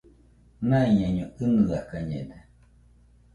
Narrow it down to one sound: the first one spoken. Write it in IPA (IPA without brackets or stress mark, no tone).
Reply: n